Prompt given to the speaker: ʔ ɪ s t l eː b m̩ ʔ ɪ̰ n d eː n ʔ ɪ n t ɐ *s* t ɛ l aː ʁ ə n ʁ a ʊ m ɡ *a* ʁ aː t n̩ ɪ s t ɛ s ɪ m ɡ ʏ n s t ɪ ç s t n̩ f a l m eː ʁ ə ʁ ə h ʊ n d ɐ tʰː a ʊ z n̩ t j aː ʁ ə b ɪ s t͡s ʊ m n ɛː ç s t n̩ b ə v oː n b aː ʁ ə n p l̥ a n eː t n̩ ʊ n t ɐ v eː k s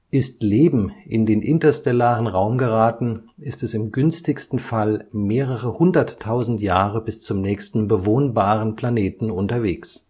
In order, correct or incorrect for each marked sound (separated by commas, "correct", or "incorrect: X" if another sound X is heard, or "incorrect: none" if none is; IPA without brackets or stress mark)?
correct, incorrect: ə